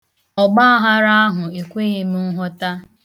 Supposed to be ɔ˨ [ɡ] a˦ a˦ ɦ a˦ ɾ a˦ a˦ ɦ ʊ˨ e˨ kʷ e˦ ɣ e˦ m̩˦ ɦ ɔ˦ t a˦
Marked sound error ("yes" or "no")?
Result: yes